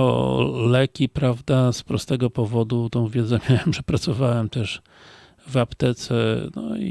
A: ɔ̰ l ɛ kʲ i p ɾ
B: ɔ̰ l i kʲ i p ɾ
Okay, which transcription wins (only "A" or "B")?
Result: A